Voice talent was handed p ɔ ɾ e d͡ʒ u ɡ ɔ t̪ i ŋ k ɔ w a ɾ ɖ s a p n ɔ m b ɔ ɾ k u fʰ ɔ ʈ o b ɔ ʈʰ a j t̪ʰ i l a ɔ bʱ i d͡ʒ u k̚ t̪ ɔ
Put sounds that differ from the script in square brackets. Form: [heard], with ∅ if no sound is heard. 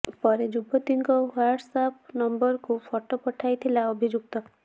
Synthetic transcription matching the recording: p ɔ ɾ e d͡ʒ u [b] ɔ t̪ i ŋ k ɔ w a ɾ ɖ s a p n ɔ m b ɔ ɾ k u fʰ ɔ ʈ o [p] ɔ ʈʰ a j t̪ʰ i l a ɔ bʱ i d͡ʒ u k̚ t̪ ɔ